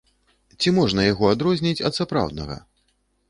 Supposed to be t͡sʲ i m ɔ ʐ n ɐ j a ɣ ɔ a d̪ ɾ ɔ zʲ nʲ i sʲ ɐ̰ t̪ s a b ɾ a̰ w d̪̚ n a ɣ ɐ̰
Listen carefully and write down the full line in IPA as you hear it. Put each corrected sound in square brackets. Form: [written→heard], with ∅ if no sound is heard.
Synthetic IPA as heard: t͡sʲ i m ɔ ʐ n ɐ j a ɣ ɔ a d̪ ɾ ɔ zʲ nʲ i [sʲ→t͡sʲ] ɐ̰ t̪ s a [b→p] ɾ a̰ w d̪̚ n [a→ɐ] ɣ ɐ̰